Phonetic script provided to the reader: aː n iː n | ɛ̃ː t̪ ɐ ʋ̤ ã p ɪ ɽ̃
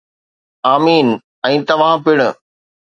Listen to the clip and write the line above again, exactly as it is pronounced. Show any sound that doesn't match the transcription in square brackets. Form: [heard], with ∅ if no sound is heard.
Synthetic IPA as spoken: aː [m] iː n | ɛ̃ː t̪ ɐ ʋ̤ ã p ɪ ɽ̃